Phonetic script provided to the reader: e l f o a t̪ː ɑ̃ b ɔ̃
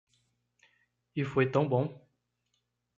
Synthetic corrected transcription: i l f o ɛ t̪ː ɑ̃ b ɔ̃